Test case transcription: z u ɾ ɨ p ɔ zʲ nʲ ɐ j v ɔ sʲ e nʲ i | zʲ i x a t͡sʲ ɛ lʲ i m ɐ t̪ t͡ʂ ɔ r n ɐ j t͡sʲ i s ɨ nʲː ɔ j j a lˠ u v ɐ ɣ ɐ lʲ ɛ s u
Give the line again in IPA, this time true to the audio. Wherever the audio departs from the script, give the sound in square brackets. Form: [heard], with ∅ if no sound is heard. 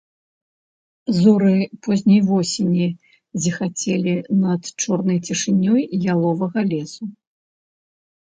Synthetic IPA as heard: z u ɾ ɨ p ɔ zʲ nʲ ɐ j v ɔ sʲ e nʲ i | zʲ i x a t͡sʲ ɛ lʲ i [n] ɐ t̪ t͡ʂ ɔ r n ɐ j t͡sʲ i [ʂ] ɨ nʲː ɔ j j a lˠ [ɔ] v ɐ ɣ ɐ lʲ ɛ s u